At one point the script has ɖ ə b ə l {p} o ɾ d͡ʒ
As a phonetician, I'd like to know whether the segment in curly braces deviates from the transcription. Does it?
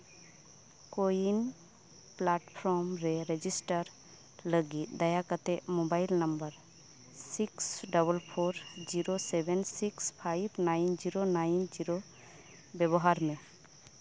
yes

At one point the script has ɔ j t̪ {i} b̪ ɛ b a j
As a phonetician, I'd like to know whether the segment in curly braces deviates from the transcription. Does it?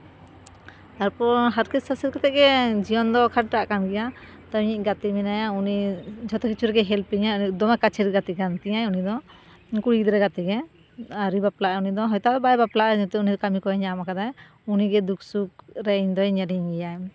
yes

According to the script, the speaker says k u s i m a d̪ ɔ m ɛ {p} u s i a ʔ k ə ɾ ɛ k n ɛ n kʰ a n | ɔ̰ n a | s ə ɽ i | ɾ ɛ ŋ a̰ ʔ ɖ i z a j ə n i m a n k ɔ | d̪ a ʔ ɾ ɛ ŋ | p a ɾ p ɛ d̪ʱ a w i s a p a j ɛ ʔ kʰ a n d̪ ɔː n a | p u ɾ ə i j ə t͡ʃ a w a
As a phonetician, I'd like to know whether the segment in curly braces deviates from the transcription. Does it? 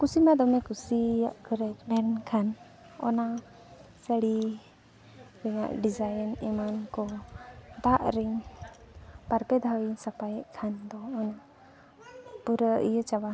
yes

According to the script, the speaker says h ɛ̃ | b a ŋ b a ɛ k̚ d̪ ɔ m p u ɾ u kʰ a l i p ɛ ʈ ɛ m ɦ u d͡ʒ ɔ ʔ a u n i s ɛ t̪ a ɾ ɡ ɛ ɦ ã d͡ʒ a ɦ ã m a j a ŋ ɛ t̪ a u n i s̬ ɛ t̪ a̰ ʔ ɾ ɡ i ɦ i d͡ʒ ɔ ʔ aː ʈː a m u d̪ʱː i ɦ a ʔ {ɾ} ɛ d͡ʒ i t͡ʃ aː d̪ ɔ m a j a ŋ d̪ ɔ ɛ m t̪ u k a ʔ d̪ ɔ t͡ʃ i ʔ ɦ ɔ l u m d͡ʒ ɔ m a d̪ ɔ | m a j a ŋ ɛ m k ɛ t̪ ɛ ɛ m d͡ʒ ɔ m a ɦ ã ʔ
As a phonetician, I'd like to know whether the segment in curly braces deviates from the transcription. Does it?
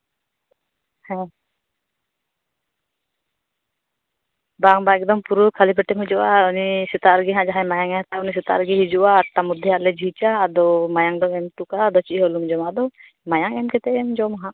yes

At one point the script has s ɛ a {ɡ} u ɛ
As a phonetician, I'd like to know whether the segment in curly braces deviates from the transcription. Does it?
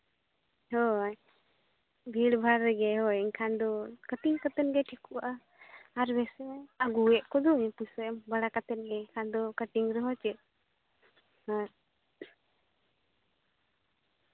no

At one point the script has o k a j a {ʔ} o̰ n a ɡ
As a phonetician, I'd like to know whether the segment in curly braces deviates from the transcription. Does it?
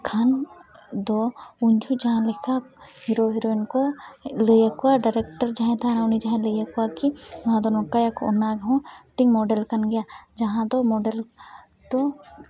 yes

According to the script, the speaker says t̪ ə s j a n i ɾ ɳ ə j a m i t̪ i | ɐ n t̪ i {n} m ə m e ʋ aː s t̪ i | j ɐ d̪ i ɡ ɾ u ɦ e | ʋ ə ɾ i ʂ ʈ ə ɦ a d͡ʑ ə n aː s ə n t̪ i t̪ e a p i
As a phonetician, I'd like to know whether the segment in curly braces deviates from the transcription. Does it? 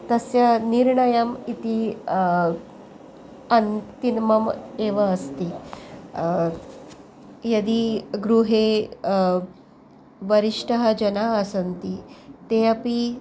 no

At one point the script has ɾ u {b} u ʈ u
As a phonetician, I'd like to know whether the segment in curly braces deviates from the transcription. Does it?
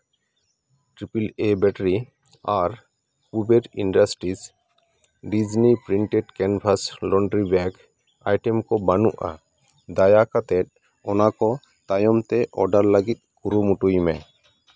yes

